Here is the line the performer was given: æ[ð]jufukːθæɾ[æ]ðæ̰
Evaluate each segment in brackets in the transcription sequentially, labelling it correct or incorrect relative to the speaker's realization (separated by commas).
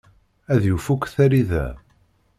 correct, incorrect